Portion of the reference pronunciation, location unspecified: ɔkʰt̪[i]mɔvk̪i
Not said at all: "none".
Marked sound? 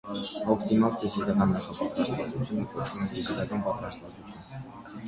i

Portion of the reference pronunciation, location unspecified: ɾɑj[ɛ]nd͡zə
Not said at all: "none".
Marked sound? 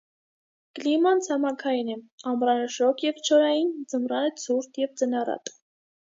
i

